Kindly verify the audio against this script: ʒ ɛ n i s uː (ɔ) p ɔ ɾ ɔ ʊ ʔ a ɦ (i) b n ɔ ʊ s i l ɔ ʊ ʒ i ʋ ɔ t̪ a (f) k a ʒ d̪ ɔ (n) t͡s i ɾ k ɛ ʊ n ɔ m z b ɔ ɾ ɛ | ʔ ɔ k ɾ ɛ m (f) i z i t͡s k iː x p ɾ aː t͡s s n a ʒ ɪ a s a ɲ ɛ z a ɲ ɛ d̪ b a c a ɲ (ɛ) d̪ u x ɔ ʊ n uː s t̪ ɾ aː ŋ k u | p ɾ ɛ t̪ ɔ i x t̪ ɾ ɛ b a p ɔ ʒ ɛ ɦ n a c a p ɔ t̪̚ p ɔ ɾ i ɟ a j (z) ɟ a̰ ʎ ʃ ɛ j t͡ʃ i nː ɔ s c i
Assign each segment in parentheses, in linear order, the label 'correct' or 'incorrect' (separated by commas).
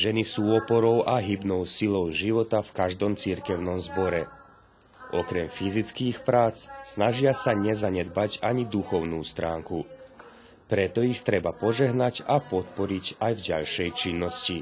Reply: correct, correct, correct, incorrect, correct, incorrect, incorrect